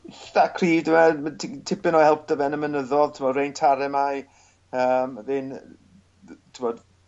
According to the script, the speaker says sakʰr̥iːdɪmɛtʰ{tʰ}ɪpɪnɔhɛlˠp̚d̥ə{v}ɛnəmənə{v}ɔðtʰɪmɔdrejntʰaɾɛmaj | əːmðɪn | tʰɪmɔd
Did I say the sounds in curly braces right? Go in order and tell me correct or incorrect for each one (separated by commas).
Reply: correct, correct, incorrect